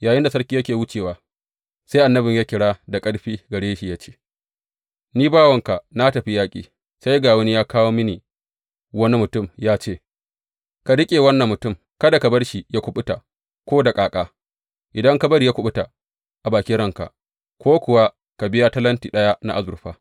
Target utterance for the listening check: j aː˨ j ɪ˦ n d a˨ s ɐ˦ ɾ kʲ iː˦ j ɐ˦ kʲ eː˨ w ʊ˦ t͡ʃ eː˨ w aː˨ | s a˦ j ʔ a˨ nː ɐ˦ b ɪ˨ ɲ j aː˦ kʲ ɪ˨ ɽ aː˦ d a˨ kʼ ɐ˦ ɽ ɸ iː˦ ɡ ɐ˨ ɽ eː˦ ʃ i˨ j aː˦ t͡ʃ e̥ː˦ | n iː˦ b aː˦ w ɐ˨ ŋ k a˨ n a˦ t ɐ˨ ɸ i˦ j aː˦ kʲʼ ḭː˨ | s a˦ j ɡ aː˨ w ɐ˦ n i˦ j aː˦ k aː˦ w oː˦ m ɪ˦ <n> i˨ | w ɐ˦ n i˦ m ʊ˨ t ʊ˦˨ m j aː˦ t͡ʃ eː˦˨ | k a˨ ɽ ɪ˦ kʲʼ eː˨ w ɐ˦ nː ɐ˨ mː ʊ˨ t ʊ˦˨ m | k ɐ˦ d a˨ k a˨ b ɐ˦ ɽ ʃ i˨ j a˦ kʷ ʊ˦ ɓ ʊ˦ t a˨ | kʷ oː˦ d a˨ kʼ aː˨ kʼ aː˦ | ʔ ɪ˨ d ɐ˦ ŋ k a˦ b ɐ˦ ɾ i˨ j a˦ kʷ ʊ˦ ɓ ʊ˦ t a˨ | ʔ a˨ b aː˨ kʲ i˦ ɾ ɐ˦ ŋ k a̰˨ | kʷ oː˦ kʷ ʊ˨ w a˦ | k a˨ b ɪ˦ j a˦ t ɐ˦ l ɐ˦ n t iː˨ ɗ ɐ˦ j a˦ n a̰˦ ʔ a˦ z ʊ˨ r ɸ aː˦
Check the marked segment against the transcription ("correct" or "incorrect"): correct